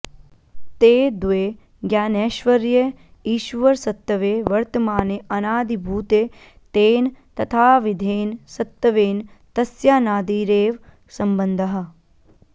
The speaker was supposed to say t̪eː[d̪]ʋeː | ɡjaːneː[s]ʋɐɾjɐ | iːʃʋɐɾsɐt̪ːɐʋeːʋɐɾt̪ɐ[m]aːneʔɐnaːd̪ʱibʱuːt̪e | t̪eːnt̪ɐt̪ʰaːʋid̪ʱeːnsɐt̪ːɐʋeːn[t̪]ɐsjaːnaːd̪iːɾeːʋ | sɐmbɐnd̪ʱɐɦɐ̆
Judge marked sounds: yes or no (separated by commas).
yes, no, yes, yes